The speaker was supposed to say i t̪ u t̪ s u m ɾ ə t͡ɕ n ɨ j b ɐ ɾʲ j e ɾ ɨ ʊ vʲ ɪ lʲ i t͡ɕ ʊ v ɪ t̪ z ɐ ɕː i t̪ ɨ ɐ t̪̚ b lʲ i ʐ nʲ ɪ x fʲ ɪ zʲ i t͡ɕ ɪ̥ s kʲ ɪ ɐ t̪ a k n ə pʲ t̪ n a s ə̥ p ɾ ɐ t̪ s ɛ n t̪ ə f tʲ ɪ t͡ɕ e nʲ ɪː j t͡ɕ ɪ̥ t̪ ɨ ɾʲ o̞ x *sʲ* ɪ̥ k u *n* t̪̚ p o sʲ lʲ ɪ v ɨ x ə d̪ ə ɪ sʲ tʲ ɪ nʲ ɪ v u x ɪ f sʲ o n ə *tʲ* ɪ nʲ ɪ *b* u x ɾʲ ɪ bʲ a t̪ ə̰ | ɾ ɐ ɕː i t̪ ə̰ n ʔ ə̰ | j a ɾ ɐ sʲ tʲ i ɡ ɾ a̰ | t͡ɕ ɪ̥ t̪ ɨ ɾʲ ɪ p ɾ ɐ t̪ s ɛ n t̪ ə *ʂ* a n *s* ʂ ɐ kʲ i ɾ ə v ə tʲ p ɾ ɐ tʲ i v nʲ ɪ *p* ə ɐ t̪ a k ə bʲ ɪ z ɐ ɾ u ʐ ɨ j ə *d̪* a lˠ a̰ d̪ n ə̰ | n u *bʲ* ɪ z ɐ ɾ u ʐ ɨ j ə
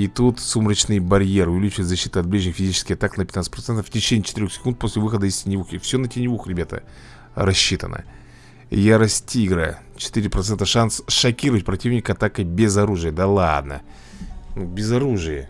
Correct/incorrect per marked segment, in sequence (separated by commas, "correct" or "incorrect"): correct, correct, correct, incorrect, correct, correct, incorrect, correct, correct